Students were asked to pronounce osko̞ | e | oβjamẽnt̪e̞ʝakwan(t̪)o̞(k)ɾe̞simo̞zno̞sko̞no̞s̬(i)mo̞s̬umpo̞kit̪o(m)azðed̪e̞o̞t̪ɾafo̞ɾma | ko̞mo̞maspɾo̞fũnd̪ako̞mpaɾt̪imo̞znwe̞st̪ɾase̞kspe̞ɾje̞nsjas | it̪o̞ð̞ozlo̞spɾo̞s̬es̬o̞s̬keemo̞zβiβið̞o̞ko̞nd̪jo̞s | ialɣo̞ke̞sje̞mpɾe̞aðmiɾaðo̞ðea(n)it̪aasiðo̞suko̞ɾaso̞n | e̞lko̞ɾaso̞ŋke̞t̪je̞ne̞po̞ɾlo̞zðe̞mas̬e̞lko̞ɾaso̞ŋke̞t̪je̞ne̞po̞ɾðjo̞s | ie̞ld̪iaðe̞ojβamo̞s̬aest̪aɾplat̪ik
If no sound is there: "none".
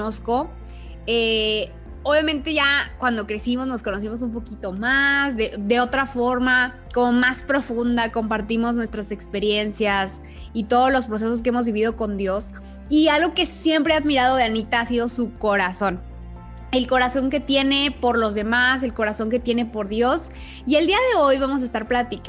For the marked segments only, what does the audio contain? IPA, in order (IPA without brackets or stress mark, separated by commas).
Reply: d̪, k, i, m, n